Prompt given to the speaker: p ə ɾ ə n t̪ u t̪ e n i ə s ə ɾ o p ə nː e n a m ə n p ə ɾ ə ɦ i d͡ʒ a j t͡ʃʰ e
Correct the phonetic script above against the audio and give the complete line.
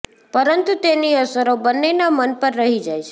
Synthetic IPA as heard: p ə ɾ ə n t̪ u t̪ e n i ə s ə ɾ o b ə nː e n a m ə n p ə ɾː ə ɦ i d͡ʒ a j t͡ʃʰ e

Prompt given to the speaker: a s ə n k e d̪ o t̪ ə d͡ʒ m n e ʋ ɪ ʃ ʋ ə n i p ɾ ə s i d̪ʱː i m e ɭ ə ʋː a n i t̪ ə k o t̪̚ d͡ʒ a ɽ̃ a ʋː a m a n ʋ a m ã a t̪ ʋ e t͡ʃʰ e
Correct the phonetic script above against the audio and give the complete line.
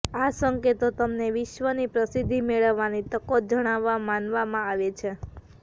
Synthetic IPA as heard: a s ə ŋ k e t̪ o t̪ ə m n e ʋ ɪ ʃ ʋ ə n i p ɾ ə s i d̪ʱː i m e ɭ ə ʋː a n i t̪ ə k o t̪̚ d͡ʒ ə ɽ̃ a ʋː a m a n ʋ a m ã a ʋ e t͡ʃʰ e

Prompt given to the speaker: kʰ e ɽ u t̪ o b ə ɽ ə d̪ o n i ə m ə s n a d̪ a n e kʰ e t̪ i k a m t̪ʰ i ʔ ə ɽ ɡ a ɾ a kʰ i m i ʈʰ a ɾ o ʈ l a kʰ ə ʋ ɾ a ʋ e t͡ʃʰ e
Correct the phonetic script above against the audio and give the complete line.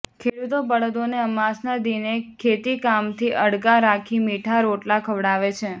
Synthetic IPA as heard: kʰ e ɽ u t̪ o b ə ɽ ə d̪ o n e ə m a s n a d̪ i n e kʰ e t̪ i k a m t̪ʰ i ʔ ə ɽ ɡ a ɾ a kʰ i m i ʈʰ a ɾ o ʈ l a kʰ ə ʋ ɽ a ʋ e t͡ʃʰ e

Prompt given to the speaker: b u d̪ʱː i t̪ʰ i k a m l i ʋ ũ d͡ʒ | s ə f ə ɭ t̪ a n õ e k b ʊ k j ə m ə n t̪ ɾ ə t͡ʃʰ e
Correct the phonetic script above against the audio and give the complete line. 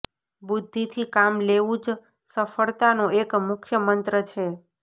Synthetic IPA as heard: b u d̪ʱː i t̪ʰ i k a m l e ʋ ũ d͡ʒ | s ə f ə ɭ t̪ a n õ e k m ʊ kʰ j ə m ə n t̪ ɾ ə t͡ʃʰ e

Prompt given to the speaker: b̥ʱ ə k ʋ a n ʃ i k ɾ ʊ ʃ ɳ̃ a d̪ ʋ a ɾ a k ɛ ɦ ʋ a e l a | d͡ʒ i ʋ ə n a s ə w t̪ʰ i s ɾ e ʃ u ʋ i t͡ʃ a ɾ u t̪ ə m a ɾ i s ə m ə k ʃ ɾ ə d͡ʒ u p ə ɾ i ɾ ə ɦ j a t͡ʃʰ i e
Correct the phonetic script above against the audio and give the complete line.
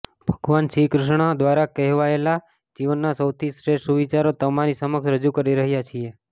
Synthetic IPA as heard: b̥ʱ ə ɡ ʋ a n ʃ i k ɾ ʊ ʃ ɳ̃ a d̪ ʋ a ɾ a k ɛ ɦ ʋ a e l a | d͡ʒ i ʋ ə nː a s ə w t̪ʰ i s ɾ e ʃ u ʋ i t͡ʃ a ɾ o t̪ ə m a ɾ i s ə m ə k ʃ ɾ ə d͡ʒ u k ə ɾ i ɾ ə ɦ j a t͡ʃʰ i e

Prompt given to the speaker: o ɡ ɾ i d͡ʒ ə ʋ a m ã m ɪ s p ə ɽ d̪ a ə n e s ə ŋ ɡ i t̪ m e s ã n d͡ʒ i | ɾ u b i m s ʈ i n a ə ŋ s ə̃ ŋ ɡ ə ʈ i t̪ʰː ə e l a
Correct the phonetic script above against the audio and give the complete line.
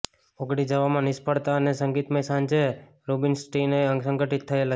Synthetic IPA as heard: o ɡ ɽ i d͡ʒ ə ʋ a m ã n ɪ s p ə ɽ t̪ a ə n e s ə ŋ ɡ i t̪ m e s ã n d͡ʒ e | ɾ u b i n s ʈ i n e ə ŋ s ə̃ ŋ ɡ ə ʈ i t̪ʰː ə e l a

